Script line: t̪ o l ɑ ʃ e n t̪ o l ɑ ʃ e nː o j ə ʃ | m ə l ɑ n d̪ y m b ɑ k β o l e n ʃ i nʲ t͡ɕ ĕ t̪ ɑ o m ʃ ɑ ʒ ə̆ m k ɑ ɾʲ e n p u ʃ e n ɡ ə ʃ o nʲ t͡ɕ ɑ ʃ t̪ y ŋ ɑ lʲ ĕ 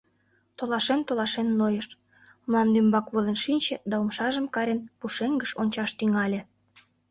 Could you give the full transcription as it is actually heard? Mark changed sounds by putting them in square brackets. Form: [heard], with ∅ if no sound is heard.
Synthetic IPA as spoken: t̪ o l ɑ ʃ e n t̪ o l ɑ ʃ e nː o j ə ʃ | m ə l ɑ n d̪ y m b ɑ k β o l e n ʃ i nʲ t͡ɕ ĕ [d̪] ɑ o m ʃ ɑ ʒ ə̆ m k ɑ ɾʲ e n p u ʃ e [ŋ] ɡ ə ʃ o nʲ t͡ɕ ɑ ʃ t̪ y ŋ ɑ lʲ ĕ